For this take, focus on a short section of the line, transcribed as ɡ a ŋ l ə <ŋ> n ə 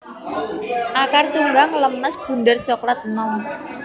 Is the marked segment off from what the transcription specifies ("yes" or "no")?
yes